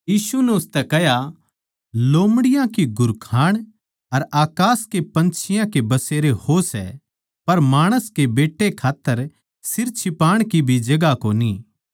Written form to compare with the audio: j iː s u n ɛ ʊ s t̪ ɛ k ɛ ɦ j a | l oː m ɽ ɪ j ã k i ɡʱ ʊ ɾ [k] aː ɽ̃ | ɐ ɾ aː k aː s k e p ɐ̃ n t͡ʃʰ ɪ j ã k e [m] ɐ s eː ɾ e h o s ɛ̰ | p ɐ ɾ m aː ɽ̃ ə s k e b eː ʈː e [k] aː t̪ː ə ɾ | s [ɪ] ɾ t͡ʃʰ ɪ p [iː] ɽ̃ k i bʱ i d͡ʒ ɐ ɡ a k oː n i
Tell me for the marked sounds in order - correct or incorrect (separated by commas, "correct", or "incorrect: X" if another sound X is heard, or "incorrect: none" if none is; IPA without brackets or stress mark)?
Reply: incorrect: kʰ, incorrect: b, incorrect: kʰ, correct, incorrect: aː